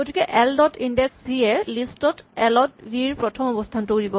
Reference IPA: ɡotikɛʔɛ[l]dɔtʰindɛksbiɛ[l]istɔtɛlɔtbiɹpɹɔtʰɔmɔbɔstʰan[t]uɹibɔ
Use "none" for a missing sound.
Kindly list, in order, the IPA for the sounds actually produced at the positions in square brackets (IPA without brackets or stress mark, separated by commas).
l, l, t